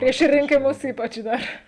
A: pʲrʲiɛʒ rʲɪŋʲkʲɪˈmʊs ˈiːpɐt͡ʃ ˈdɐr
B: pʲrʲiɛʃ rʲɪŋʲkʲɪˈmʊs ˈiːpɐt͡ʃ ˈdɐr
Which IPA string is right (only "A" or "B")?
B